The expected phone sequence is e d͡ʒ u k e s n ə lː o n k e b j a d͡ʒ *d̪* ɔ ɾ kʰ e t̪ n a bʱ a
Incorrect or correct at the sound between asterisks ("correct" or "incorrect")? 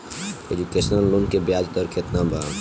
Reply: incorrect